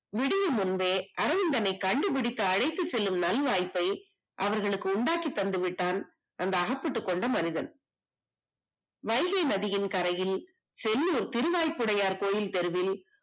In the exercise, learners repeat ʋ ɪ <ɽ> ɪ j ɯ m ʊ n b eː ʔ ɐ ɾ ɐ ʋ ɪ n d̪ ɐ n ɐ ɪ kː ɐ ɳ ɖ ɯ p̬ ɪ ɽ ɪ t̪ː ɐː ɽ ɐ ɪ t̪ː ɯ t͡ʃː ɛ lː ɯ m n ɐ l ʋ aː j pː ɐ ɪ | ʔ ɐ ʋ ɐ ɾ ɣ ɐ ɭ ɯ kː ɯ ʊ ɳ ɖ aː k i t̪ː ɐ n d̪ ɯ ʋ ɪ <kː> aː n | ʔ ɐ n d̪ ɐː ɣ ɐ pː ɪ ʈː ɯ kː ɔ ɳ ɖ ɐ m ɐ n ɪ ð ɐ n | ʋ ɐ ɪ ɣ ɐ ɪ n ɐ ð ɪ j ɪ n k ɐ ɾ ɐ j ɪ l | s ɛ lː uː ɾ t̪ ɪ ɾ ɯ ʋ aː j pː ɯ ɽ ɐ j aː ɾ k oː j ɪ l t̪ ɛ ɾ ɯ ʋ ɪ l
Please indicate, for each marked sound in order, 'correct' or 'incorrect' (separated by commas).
correct, incorrect